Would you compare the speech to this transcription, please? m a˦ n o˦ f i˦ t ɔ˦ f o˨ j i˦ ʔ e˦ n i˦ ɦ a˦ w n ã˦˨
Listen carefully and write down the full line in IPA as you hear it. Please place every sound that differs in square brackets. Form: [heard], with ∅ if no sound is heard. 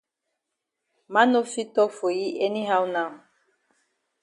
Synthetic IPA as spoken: m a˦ n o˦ f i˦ t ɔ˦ f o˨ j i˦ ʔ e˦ n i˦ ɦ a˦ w n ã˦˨